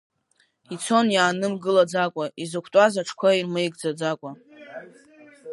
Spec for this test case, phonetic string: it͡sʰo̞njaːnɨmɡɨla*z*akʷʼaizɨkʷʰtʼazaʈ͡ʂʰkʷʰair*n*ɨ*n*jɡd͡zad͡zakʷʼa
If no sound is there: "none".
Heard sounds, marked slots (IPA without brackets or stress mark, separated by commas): d͡z, m, none